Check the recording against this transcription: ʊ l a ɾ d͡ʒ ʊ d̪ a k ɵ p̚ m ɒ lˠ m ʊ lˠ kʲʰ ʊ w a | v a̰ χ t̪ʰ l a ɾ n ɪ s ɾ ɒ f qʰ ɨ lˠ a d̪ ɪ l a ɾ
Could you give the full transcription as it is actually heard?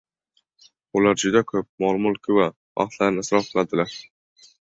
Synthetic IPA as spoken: ʊ l a ɾ d͡ʒ ʊ d̪ a kʰ ɵ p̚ m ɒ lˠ m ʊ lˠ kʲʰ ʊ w a | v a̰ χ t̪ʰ l a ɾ n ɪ s ɾ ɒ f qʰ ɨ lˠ a d̪ ɪ l a ɾ